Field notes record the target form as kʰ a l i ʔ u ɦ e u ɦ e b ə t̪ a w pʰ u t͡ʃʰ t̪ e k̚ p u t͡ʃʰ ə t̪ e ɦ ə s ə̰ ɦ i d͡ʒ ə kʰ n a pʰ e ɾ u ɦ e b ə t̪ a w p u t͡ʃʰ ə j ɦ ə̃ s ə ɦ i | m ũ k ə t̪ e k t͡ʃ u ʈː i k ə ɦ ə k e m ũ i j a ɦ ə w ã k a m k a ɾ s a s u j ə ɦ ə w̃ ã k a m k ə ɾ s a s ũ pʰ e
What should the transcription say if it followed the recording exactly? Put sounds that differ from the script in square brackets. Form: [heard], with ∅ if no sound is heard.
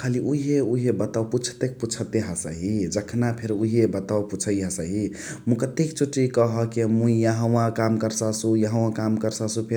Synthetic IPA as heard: kʰ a l i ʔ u ɦ e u ɦ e b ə t̪ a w [p] u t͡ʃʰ t̪ e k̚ p u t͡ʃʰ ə t̪ e ɦ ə s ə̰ ɦ i d͡ʒ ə kʰ n a pʰ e ɾ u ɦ e b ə t̪ a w p u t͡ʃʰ ə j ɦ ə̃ s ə ɦ i | m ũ k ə t̪ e k t͡ʃ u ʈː i k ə ɦ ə k e m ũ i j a ɦ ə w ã k a m k [ə] ɾ s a s u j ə ɦ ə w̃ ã k a m k ə ɾ s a s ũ pʰ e